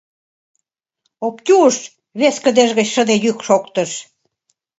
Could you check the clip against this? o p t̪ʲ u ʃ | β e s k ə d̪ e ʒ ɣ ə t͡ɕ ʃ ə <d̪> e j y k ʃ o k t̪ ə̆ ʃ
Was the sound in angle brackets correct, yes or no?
yes